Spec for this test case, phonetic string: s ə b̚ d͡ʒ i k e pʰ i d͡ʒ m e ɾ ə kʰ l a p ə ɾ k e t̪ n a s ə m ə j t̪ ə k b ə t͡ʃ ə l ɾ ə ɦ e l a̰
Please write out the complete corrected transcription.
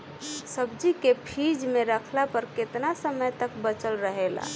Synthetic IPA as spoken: s ə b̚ d͡ʒ i k e pʰ i d͡ʒ m e ɾ ə kʰ l a p ə ɾ k e t̪ n a s ə m ə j t̪ ə k b ə t͡ʃ ə l ɾ ə ɦ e l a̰